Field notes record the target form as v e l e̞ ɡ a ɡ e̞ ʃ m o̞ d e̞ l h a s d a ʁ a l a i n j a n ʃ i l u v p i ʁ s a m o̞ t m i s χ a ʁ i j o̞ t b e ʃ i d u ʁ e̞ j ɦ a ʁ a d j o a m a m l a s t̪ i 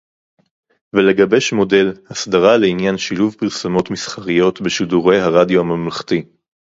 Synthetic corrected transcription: v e l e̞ ɡ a b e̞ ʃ m o̞ d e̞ l h a s d a ʁ a l e i n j a n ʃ i l u v p i ʁ s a m o̞ t m i s χ a ʁ i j o̞ t b e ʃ i d u ʁ e̞ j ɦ a ʁ a d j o a m a m l a χ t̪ i

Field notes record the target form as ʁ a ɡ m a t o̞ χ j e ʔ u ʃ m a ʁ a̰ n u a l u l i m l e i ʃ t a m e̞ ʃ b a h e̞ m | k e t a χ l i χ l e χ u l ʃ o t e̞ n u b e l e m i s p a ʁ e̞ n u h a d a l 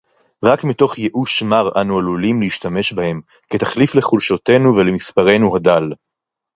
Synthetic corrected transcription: ʁ a k m i t o̞ χ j e ʔ u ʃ m a ʁ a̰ n u a l u l i m l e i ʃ t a m e̞ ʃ b a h e̞ m | k e t a χ l i f l e χ u l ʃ o t e̞ n u v e l e m i s p a ʁ e̞ n u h a d a l

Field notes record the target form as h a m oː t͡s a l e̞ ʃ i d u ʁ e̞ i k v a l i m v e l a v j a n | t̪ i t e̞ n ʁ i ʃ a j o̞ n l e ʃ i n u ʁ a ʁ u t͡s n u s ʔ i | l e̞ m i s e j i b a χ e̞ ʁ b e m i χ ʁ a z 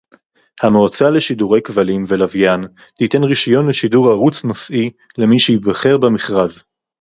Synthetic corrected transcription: h a m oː t͡s a l e̞ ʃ i d u ʁ e̞ j k v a l i m v e l a v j a n | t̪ i t e̞ n ʁ i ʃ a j o̞ n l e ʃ i d u ʁ a ʁ u t͡s n o s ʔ i | l e̞ m i ʃ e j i b a χ e̞ ʁ b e m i χ ʁ a z

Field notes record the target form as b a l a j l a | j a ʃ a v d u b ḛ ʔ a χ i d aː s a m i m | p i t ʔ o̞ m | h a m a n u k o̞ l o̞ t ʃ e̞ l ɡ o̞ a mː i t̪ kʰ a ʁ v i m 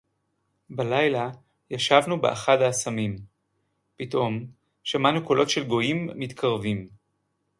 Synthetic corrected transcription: b a l a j l a | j a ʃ a v n u b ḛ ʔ a χ a d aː s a m i m | p i t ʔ o̞ m | ʃ a m a n u k o̞ l o̞ t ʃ e̞ l ɡ o̞ i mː i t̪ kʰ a ʁ v i m

